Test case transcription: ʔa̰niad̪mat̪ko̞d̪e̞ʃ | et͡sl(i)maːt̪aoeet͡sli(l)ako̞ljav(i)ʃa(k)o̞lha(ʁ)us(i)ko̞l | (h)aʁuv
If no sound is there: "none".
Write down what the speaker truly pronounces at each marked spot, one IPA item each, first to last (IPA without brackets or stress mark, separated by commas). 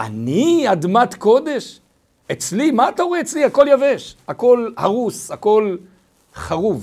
i, none, e, k, ʁ, a, χ